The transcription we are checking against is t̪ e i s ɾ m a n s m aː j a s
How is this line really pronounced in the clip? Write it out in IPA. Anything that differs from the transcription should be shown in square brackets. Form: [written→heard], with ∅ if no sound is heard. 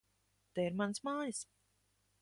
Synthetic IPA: t̪ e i [s→∅] ɾ m a n s m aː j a s

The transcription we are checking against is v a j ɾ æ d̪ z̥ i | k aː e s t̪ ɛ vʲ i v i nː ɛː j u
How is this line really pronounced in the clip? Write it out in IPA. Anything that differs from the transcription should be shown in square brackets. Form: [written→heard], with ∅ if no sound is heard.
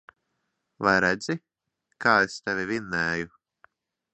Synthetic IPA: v a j ɾ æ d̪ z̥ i | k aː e s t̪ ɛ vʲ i v i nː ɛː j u

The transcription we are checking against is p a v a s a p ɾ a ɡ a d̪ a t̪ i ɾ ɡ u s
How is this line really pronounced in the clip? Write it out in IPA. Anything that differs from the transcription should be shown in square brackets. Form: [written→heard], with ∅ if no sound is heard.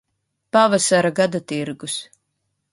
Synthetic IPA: p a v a s a [p→∅] ɾ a ɡ a d̪ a t̪ i ɾ ɡ u s

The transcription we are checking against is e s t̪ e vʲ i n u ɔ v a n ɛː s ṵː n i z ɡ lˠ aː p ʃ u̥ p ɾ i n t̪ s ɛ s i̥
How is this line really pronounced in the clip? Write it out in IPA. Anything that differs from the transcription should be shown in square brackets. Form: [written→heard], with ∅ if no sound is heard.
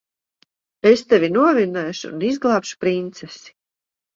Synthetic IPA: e s t̪ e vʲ i n u ɔ v [a→i] n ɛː [s→ʃ] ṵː n i z ɡ lˠ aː p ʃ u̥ p ɾ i n t̪ s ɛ s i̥

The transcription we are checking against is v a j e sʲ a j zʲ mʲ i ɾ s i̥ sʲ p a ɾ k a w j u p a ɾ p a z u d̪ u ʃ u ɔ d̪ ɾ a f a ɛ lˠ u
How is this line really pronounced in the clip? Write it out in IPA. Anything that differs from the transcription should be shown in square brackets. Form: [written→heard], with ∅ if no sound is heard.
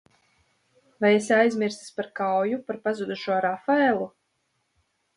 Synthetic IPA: v a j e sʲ a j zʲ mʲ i ɾ s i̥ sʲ p a ɾ k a w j u p a ɾ p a z u d̪ u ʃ u ɔ [d̪→∅] ɾ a f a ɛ lˠ u

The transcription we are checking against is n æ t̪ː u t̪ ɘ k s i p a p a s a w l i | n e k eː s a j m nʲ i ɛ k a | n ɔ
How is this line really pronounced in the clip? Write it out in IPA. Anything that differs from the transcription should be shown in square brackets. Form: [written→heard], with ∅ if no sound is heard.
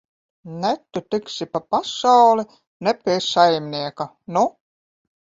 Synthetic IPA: n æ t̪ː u t̪ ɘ k s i p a p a s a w l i | n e [k→p] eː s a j m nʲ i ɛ k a | n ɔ

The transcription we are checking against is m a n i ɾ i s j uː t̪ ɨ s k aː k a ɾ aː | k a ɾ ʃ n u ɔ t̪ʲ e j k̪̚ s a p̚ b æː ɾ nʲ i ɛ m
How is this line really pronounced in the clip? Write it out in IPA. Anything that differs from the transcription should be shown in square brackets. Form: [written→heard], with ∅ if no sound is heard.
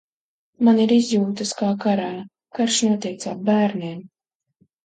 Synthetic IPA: m a n i ɾ i [s→z] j uː t̪ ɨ s k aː k a ɾ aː | k a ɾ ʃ n u ɔ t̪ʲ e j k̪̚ s a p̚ b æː ɾ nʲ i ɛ m

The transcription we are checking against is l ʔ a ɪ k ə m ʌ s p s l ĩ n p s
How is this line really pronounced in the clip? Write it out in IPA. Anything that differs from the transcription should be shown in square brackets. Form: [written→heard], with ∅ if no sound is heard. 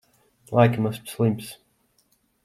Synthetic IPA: l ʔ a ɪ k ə m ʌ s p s l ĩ [n→m] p s

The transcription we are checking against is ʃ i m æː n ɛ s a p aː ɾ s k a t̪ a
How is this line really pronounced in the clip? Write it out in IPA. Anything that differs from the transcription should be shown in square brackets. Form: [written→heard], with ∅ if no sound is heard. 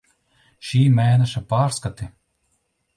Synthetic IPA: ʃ [i→iː] m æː n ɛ [s→ʃ] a p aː ɾ s k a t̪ [a→i]

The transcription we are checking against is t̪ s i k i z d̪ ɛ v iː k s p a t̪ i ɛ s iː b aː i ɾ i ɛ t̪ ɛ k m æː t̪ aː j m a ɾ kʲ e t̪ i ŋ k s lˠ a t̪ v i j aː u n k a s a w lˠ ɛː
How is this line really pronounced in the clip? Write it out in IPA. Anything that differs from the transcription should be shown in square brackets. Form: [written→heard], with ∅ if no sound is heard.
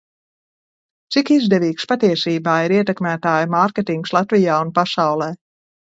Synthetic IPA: t̪ s i k i z d̪ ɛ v iː k s p a t̪ i ɛ s iː b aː i ɾ i ɛ t̪ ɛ k m æː t̪ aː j m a ɾ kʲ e t̪ i ŋ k s lˠ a t̪ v i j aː u n [k→p] a s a w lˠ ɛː

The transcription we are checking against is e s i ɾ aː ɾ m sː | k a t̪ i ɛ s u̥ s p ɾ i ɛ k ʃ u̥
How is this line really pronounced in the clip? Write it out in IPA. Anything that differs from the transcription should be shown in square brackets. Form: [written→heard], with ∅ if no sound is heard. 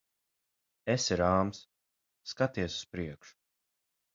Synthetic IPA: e s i ɾ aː [ɾ→∅] m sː | k a t̪ i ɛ s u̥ s p ɾ i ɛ k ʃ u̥

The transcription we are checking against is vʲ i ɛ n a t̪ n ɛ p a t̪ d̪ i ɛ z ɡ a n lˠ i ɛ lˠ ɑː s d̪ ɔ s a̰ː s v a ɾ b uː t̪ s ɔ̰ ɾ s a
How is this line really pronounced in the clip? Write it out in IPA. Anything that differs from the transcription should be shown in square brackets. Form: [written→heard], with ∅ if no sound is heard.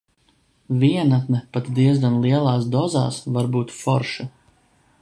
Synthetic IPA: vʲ i ɛ n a t̪ n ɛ p a t̪ d̪ i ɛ z ɡ a n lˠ i ɛ lˠ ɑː s d̪ ɔ [s→z] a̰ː s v a ɾ b uː t̪ [s→f] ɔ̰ ɾ [s→ʃ] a

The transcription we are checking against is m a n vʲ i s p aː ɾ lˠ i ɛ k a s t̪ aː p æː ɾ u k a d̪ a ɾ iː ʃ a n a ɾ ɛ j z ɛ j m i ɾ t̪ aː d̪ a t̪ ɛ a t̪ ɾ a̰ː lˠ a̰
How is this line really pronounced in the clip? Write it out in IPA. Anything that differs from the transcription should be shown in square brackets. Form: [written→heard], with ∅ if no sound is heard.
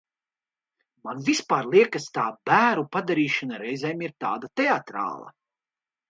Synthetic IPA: m a n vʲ i s p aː ɾ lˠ i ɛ k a s t̪ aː [p→b] æː ɾ u [k→p] a d̪ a ɾ iː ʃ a n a ɾ ɛ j z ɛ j m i ɾ t̪ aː d̪ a t̪ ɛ a t̪ ɾ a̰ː lˠ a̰

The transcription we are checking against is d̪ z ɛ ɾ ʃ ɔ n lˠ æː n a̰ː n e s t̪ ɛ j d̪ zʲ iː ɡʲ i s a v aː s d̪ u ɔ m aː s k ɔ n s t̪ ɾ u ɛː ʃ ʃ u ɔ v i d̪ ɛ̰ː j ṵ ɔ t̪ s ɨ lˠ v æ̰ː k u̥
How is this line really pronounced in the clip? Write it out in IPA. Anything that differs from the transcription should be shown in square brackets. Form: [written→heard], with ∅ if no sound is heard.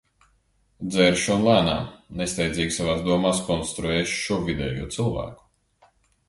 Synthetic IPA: d̪ z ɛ ɾ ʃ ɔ n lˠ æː n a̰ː n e s t̪ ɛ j d̪ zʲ iː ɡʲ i s a v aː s d̪ u ɔ m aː s k ɔ n s t̪ ɾ u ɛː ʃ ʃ u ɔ v i d̪ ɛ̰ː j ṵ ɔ t̪ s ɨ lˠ v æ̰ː k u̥

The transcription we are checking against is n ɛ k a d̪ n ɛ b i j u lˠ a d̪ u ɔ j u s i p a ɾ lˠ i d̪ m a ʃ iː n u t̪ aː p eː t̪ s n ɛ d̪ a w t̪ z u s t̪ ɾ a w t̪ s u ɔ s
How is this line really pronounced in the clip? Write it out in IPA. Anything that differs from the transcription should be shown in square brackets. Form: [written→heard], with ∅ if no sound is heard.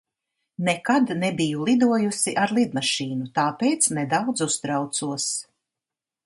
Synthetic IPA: n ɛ k a d̪ n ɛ b i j u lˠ [a→i] d̪ u ɔ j u s i [p→ʔ] a ɾ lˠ i d̪ m a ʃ iː n u t̪ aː p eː t̪ s n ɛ d̪ a w [t̪→d̪] z u s t̪ ɾ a w t̪ s u ɔ s

